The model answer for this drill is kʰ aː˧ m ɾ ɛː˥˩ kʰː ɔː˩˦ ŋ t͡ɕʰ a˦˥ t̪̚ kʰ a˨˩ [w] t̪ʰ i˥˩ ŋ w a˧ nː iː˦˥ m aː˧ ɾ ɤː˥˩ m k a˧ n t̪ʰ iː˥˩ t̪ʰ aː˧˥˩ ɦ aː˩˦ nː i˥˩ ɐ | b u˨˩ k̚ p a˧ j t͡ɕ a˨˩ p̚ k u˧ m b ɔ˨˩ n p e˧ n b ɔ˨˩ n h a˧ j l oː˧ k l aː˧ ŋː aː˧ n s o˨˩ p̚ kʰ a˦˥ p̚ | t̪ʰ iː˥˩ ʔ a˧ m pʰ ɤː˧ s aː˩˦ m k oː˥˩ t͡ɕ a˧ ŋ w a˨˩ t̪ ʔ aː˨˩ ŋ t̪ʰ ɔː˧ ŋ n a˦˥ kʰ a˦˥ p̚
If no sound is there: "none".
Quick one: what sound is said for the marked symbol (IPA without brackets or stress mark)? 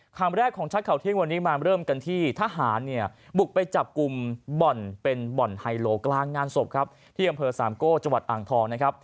w